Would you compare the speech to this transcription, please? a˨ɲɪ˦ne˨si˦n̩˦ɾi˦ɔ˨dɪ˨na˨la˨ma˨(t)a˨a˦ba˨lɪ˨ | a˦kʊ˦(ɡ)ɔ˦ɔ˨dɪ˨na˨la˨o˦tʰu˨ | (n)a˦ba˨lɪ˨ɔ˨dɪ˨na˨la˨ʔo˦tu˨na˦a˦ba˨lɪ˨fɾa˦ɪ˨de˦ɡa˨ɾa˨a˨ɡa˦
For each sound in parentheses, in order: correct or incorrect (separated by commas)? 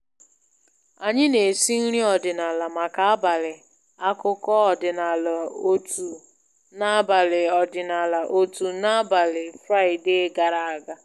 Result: incorrect, incorrect, correct